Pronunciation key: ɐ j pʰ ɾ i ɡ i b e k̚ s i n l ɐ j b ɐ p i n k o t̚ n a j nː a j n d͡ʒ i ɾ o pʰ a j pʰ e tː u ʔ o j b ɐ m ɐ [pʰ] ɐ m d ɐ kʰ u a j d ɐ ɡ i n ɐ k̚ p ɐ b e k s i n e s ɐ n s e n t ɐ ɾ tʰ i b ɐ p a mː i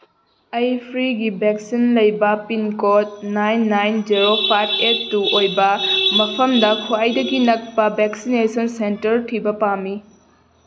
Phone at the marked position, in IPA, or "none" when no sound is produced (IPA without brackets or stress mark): pʰ